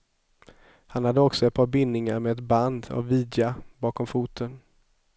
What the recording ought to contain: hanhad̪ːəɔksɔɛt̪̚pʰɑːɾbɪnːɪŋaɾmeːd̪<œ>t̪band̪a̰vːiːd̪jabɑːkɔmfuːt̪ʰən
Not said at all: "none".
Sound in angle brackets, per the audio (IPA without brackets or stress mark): ɛ